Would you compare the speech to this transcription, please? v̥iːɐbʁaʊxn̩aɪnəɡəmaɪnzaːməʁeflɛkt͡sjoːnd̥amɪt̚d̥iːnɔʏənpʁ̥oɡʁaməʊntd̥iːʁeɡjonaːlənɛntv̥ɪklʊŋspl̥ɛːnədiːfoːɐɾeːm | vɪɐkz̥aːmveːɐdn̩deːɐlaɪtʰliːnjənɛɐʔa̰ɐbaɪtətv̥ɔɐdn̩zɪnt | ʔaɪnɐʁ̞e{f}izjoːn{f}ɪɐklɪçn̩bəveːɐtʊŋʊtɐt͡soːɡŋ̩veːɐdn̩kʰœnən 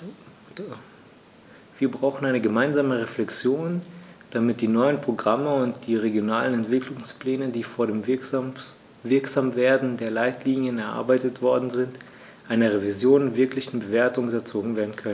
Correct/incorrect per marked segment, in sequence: incorrect: v, incorrect: v

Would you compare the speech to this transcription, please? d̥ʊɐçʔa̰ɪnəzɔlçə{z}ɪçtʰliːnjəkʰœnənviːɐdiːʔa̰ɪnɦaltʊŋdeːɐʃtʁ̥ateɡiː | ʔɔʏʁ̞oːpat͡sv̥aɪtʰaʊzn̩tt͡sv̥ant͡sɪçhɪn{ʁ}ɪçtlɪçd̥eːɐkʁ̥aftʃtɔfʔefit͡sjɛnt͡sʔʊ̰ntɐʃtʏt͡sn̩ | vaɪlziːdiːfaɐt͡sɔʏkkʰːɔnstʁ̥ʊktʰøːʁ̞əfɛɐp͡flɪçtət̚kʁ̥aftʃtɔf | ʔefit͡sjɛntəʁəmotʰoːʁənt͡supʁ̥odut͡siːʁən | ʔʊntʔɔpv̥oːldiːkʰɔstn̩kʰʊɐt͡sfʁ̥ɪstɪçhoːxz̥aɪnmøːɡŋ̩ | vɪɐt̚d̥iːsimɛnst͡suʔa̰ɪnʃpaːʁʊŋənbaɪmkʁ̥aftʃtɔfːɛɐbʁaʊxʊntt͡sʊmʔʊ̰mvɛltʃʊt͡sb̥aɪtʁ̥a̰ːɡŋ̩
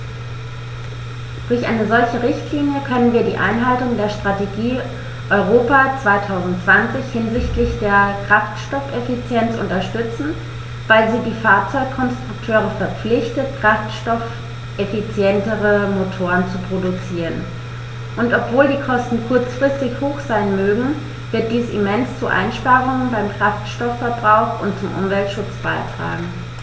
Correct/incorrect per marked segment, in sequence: incorrect: ʁ, incorrect: z

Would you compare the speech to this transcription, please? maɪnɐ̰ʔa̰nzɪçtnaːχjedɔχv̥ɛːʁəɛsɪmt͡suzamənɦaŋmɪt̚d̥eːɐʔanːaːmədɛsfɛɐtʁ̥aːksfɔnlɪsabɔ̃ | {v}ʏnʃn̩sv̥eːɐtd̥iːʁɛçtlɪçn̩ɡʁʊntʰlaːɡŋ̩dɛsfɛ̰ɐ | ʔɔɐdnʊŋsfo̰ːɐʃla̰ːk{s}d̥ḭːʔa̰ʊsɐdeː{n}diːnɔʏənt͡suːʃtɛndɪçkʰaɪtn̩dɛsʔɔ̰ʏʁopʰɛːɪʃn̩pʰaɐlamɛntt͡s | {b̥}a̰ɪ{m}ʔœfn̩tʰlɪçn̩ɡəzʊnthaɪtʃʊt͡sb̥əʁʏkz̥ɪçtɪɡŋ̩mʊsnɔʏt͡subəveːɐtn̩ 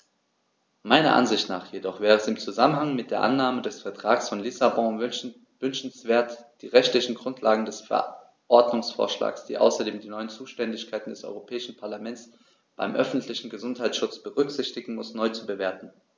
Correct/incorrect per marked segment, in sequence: correct, correct, incorrect: m, correct, correct

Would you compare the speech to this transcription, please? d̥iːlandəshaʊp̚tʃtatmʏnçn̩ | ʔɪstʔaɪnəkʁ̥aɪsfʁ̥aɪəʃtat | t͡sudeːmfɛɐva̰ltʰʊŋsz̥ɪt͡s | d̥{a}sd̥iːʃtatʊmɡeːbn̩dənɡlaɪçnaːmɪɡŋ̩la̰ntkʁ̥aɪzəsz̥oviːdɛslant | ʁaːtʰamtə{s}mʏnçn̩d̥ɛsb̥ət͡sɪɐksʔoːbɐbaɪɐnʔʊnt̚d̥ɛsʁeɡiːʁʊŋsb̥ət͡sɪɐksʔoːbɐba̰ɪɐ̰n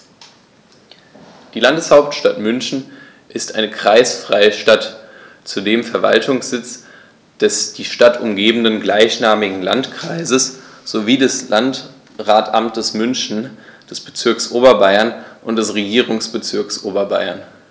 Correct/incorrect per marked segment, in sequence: incorrect: ɛ, correct

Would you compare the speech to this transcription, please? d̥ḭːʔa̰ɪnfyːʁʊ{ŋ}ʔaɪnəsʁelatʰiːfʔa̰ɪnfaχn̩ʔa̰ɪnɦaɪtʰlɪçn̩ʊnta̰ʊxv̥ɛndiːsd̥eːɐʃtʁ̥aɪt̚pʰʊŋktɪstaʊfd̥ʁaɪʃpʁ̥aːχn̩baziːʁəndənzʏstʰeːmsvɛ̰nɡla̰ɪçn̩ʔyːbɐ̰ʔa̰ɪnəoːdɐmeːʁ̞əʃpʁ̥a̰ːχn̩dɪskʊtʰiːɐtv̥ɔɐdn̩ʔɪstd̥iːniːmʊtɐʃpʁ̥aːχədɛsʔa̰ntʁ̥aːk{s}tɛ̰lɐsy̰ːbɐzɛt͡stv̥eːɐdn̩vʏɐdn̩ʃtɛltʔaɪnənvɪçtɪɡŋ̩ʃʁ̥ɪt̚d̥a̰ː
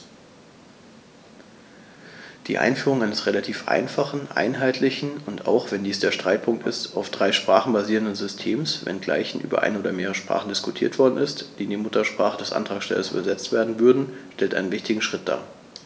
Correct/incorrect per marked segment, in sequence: correct, incorrect: ʃ

